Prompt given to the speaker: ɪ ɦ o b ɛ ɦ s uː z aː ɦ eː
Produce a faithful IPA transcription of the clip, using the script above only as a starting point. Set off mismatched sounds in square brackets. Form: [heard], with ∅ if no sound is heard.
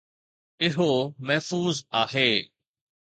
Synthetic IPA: ɪ ɦ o [m] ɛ ɦ [f] uː z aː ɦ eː